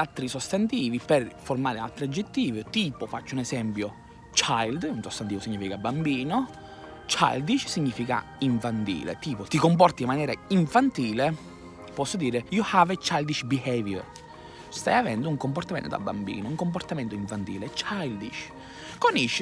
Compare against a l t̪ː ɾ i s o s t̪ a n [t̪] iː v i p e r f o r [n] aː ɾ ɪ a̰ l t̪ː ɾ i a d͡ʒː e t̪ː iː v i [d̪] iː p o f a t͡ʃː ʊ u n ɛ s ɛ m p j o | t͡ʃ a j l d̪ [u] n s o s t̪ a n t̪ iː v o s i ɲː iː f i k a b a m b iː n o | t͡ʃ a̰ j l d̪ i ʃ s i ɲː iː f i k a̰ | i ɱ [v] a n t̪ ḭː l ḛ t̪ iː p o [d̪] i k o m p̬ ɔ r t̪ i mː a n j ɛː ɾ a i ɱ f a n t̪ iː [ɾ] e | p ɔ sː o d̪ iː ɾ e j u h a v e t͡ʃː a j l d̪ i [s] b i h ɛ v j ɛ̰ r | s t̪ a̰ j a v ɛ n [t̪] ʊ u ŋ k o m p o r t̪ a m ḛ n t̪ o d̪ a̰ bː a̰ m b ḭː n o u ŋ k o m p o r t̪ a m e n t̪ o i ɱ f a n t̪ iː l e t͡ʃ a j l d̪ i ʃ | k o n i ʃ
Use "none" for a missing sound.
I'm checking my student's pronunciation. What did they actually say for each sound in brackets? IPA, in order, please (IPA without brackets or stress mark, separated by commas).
t̪, m, t̪, u, f, t̪, l, ʃ, d̪